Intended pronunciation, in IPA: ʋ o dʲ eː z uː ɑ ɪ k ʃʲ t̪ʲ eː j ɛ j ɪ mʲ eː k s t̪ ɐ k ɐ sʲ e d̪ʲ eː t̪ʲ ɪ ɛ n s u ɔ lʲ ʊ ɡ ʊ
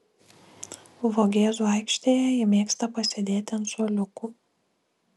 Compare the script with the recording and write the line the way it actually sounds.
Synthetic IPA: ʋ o ɡʲ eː z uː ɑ ɪ k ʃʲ t̪ʲ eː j ɛ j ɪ mʲ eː k s t̪ ɐ p ɐ sʲ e d̪ʲ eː t̪ʲ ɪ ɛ n s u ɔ lʲ ʊ k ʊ